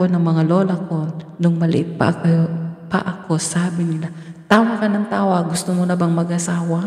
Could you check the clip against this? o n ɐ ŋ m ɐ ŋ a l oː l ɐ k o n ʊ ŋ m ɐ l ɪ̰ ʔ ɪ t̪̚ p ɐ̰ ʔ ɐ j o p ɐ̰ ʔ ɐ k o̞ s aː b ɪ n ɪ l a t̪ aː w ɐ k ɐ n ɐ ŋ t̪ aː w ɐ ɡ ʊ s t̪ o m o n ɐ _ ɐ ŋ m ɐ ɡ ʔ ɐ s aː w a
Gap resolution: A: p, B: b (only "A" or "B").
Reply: B